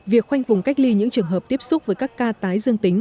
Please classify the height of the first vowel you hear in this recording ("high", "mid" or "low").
high